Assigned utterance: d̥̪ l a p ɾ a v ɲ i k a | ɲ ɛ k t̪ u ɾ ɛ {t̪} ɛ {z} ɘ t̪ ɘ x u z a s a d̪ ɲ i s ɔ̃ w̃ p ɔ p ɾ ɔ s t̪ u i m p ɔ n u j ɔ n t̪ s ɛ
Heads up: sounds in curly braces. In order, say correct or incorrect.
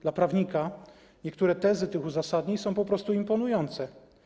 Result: correct, correct

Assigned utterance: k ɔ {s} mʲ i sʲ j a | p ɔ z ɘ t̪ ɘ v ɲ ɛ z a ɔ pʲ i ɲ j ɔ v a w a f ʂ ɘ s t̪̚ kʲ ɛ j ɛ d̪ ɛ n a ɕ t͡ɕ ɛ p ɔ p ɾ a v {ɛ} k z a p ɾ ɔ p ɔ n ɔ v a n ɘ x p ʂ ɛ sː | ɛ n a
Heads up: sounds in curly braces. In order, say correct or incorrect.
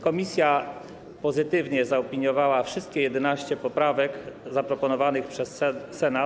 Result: incorrect: none, correct

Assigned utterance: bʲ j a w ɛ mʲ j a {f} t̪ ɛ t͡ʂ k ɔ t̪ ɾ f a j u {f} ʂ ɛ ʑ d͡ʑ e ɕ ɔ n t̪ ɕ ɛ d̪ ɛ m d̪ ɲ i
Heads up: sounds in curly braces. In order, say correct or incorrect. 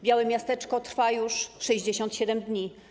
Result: incorrect: s, incorrect: ʂ

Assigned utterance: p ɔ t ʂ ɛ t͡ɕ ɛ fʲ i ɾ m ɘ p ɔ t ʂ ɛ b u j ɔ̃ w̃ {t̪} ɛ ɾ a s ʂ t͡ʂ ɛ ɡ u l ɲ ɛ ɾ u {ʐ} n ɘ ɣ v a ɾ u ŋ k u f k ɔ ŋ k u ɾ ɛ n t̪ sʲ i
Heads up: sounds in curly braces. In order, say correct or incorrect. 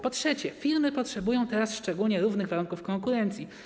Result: correct, incorrect: v

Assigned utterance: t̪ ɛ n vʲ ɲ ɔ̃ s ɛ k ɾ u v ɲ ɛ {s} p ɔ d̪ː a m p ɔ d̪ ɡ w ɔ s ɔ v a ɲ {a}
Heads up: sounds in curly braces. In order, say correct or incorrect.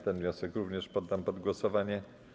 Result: incorrect: ʂ, incorrect: ɛ

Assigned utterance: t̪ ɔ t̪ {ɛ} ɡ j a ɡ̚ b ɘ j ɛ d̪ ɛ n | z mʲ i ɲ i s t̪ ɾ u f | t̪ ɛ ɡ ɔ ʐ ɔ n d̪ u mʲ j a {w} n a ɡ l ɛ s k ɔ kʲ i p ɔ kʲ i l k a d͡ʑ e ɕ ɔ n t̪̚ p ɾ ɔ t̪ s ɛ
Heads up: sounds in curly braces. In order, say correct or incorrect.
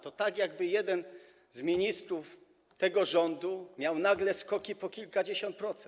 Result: incorrect: a, correct

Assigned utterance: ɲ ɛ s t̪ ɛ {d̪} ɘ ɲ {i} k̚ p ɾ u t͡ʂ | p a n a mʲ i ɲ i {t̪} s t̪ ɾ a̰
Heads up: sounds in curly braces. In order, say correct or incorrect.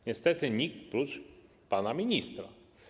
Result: incorrect: t̪, correct, incorrect: none

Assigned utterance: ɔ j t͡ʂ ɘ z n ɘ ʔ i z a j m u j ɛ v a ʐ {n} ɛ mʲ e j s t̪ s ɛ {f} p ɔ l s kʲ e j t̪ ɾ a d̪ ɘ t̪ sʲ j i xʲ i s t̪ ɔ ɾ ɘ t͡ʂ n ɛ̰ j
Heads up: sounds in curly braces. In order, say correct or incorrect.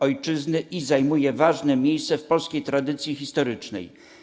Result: correct, correct

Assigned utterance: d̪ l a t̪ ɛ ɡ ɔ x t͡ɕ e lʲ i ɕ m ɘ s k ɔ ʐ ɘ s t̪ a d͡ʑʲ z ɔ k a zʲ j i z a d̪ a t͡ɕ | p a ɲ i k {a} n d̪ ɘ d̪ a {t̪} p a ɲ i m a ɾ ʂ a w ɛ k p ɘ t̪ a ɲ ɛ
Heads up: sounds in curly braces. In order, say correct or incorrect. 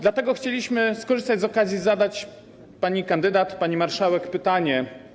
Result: correct, correct

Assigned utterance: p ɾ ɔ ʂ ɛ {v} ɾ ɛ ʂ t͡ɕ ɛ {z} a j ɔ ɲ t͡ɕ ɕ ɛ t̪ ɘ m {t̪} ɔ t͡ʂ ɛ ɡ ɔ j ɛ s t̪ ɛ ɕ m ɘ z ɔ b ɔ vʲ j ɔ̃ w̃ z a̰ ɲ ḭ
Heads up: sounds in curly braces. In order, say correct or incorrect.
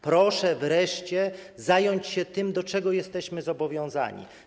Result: correct, correct, incorrect: d̪

